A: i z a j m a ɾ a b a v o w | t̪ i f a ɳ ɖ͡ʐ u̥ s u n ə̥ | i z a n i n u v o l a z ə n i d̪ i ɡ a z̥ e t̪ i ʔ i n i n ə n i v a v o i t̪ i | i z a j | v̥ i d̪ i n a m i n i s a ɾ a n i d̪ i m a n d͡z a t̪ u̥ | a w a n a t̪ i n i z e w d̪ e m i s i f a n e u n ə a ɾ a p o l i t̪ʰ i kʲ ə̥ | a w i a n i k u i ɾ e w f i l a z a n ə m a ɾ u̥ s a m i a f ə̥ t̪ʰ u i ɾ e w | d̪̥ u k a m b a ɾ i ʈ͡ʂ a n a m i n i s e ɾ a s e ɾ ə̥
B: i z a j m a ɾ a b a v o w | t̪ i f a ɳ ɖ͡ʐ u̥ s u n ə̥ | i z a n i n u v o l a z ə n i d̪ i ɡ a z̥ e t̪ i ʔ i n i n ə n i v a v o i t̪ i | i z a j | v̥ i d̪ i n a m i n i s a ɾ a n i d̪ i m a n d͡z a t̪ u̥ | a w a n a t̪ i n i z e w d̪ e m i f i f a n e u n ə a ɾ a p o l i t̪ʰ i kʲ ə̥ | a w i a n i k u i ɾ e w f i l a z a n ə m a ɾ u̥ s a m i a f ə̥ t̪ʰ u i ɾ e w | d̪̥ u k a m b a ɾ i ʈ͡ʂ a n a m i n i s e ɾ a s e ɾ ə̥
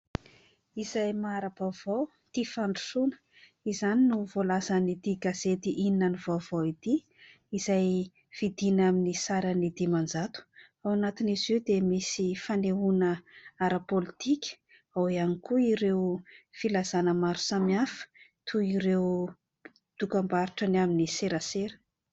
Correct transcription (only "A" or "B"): A